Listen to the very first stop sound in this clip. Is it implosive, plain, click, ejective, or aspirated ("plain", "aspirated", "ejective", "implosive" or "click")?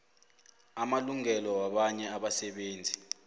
implosive